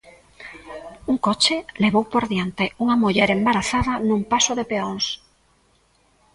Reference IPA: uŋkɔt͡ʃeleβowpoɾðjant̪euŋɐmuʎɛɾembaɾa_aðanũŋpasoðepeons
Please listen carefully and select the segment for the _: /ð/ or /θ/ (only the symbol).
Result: θ